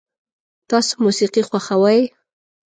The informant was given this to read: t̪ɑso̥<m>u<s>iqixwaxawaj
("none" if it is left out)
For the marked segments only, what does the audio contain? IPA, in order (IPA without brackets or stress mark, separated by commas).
m, s